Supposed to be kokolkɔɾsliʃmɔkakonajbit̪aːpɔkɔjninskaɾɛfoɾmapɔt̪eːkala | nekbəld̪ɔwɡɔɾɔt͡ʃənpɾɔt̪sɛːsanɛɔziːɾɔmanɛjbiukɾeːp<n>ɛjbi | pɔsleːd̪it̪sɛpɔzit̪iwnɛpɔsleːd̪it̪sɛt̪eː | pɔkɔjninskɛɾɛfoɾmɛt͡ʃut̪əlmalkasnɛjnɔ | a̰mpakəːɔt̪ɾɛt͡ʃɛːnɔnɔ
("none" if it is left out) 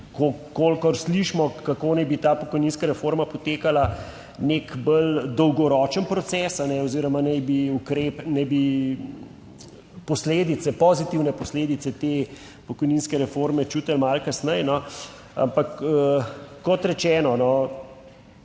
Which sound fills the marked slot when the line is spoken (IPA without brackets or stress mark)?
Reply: n